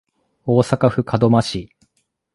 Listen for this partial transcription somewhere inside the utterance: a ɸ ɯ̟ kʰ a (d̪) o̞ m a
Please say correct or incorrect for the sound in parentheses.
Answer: correct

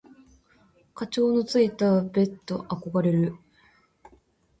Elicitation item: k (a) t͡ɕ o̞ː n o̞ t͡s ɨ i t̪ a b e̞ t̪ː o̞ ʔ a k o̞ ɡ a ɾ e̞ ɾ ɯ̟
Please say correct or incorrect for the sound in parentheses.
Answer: correct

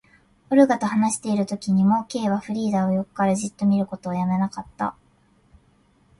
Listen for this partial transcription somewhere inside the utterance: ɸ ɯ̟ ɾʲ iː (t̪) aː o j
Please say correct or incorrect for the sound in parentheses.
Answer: incorrect: d̪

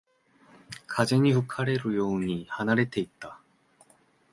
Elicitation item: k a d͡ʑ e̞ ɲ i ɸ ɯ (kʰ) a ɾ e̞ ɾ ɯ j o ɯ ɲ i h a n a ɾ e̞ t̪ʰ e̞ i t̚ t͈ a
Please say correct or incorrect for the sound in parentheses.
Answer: correct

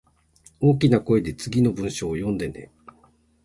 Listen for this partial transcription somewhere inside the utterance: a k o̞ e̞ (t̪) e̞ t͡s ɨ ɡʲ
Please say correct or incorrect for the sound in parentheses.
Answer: incorrect: d̪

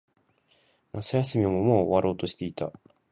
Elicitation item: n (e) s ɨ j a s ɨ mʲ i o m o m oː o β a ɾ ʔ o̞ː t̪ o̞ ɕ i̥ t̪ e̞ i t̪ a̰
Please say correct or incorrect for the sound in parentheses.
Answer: incorrect: a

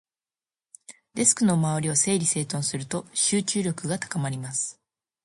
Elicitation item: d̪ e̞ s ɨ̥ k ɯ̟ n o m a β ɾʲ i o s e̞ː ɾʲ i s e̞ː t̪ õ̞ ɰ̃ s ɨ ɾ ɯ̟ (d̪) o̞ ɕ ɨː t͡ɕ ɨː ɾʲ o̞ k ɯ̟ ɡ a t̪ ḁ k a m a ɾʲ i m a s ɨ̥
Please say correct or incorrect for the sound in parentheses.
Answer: incorrect: t̪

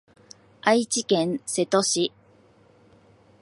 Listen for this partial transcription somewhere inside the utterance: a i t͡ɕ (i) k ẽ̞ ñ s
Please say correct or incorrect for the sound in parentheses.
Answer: correct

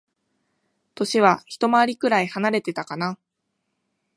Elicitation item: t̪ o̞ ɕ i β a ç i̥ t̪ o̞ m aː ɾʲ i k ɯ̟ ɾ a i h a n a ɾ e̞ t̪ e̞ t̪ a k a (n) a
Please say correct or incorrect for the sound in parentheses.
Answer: correct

